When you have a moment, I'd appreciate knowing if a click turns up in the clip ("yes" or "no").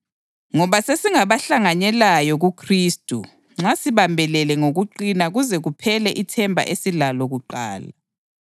yes